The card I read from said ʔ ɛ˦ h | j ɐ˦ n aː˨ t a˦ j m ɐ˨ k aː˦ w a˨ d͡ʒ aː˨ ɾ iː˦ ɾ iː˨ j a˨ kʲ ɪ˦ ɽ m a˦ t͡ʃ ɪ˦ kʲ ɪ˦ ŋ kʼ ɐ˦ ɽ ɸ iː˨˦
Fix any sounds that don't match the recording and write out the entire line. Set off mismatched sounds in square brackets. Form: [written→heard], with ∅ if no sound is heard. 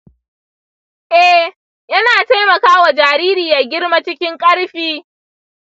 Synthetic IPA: ʔ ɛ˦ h | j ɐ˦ n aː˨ t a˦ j m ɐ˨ k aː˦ w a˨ d͡ʒ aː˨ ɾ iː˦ ɾ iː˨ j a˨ [kʲ→ɡʲ] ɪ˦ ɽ m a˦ t͡ʃ ɪ˦ kʲ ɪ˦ ŋ kʼ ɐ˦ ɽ ɸ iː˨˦